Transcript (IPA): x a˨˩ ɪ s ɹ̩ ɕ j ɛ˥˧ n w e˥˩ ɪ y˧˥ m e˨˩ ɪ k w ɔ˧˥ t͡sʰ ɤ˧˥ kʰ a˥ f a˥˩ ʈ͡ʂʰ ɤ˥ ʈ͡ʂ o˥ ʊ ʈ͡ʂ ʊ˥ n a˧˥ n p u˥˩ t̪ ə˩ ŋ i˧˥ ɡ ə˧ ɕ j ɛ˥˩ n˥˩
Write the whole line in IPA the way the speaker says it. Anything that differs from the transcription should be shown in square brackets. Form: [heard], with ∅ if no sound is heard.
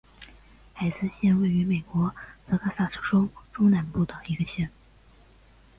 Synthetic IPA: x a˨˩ ɪ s ɹ̩ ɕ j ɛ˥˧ n w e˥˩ ɪ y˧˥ m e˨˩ ɪ k w ɔ˧˥ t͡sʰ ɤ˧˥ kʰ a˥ [s] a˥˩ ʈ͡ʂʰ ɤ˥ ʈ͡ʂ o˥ ʊ ʈ͡ʂ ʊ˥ n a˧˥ n p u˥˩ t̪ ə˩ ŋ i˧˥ ɡ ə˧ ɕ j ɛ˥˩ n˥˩